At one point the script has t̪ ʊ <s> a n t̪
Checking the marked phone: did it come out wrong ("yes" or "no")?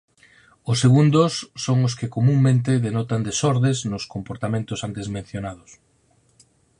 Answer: no